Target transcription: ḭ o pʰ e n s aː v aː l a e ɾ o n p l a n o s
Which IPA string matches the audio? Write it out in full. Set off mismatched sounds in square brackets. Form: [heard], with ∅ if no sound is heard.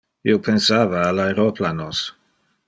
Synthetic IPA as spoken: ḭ o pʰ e n s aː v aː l a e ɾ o [∅] p l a n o s